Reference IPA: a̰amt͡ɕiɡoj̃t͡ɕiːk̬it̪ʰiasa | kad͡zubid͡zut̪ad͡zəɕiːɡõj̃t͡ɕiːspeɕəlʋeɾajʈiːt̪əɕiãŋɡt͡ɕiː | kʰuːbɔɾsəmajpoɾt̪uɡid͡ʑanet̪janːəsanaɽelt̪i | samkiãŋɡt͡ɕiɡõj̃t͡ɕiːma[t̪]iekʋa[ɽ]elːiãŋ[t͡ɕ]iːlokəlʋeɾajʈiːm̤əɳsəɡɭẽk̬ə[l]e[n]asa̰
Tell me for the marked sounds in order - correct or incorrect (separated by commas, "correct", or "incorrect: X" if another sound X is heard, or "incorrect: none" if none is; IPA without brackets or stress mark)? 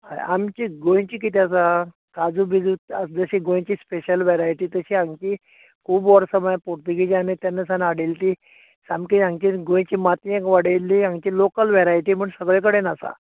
correct, correct, correct, incorrect: ɽ, correct